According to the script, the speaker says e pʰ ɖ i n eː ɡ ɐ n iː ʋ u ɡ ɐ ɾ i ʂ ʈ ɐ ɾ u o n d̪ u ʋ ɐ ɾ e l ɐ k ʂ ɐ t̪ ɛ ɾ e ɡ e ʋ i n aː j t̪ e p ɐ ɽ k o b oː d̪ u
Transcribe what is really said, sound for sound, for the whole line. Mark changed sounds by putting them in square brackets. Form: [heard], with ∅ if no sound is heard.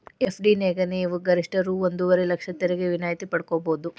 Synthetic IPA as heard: e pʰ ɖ i n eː ɡ ɐ n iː ʋ u ɡ ɐ ɾ i ʂ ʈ ɐ ɾ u o n d̪ u ʋ ɐ ɾ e l ɐ k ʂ ɐ t̪ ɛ ɾ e ɡ e ʋ i n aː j t̪ [i] p ɐ ɽ k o b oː d̪ u